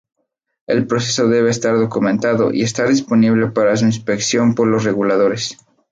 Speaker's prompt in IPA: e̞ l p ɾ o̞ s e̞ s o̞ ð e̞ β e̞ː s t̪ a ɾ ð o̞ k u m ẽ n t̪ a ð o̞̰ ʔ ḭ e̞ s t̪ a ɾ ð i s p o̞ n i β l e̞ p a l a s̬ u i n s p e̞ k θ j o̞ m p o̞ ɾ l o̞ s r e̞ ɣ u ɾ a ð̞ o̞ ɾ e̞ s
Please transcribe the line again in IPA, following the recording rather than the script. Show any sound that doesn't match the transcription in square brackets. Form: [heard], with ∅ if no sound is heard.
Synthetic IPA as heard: e̞ l p ɾ o̞ s e̞ s o̞ ð e̞ β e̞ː s t̪ a ɾ ð o̞ k u m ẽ n t̪ a ð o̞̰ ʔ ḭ e̞ s t̪ a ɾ ð i s p o̞ n i β l e̞ p a [ɾ] a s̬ u i n s p e̞ k [s] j o̞ m p o̞ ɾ l o̞ s r e̞ ɣ u [l] a ð̞ o̞ ɾ e̞ s